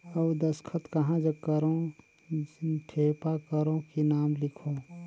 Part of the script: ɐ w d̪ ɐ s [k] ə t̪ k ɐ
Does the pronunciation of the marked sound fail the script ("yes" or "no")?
yes